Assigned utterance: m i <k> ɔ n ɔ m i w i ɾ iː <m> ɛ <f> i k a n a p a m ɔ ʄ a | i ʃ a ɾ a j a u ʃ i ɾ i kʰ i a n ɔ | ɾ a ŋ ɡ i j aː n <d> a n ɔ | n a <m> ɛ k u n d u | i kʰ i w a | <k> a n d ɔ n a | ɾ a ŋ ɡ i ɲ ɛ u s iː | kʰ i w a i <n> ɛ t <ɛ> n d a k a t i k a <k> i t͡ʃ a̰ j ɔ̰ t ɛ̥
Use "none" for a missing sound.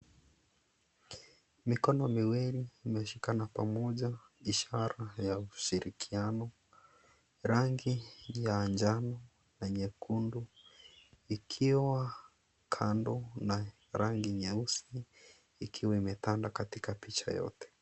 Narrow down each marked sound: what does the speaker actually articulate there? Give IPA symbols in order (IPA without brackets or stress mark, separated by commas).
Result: k, m, ʃ, d͡ʒ, ɲ, kʰ, m, a, p